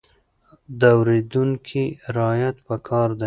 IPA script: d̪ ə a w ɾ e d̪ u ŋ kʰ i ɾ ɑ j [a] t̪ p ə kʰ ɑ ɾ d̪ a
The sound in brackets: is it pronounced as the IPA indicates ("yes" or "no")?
yes